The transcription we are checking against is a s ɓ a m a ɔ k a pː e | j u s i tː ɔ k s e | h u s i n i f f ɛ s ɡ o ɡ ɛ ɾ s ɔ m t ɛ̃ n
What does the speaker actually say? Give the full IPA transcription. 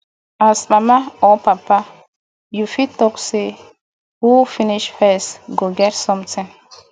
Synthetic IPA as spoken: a s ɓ a m a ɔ p a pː a | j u f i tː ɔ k s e | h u f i n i ʃ f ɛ s ɡ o ɡ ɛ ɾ s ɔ m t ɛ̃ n

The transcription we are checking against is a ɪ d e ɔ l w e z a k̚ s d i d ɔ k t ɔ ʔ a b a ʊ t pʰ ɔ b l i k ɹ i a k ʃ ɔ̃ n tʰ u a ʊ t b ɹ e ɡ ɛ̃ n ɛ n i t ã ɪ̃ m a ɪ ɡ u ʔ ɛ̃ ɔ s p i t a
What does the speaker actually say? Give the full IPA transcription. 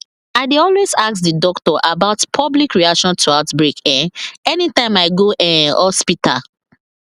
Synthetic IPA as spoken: a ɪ d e ɔ l w e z a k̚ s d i d ɔ k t ɔ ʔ a b a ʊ t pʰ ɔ b l i k ɹ i a k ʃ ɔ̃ n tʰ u a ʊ t b ɹ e k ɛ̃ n ɛ n i t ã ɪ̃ m a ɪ ɡ o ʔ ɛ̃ ɔ s p i t a

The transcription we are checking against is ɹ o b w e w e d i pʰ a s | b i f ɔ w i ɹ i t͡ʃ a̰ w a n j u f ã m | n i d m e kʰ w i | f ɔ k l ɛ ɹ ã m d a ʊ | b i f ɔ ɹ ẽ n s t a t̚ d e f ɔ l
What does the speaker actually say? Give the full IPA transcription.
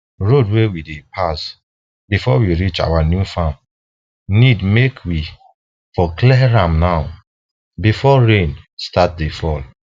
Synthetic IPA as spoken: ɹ o d w e w i d e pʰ a s | b i f ɔ w i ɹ i t͡ʃ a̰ w a n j u f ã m | n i d m e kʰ w i | f ɔ k l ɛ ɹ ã m n a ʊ | b i f ɔ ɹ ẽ n s t a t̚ d e f ɔ l

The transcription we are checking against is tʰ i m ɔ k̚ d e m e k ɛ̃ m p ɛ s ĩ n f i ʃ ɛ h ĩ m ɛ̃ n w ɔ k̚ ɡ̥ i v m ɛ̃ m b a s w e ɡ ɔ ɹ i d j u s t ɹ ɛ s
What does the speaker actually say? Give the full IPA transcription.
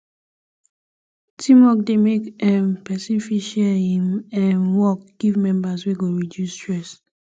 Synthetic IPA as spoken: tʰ i m ɔ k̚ d e m e k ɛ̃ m p ɛ s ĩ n f i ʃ ɛ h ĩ m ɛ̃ n w ɔ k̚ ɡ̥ i v m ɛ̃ m b a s w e ɡ o ɹ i d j u s t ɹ ɛ s

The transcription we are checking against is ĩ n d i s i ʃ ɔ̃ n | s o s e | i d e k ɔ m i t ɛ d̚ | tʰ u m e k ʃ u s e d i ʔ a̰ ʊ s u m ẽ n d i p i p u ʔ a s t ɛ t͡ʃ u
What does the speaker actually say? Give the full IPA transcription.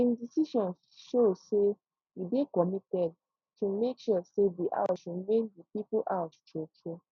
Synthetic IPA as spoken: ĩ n d i s i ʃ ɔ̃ n | ʃ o s e | i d e k ɔ m i t ɛ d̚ | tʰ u m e k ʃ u s e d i ʔ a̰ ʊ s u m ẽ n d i p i p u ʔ a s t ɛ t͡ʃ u

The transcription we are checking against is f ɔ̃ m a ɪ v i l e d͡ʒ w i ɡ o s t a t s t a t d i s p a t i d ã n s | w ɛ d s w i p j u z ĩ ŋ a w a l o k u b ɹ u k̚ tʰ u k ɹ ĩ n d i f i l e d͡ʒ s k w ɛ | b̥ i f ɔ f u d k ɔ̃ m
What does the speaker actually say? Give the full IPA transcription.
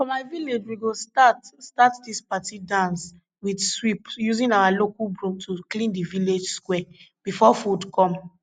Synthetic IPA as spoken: f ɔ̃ m a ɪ v i l e d͡ʒ w i ɡ o s t a t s t a t d i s p a t i d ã n s | w i d s w i p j u z ĩ n a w a l o k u b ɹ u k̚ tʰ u k l ĩ n d i v i l e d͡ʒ s k w ɛ | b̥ i f ɔ f u d k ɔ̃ m

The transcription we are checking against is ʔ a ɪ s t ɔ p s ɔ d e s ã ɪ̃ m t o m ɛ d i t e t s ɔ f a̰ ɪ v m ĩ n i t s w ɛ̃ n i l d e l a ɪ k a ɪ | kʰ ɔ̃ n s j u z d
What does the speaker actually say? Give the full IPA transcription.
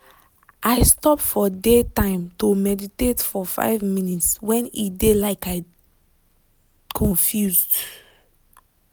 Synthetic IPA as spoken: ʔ a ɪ s t ɔ p f ɔ d e t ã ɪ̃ m t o m ɛ d i t e t f ɔ f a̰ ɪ v m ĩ n i t s w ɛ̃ n i d e l a ɪ k a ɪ | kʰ ɔ̃ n f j u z d

